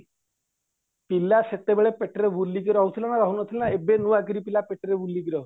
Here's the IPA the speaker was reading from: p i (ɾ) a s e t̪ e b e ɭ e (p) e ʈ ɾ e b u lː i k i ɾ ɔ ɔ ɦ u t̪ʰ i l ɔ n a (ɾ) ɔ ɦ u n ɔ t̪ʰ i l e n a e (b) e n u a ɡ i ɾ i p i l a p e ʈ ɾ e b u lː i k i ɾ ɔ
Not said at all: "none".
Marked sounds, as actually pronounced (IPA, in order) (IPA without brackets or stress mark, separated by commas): l, p, ɾ, b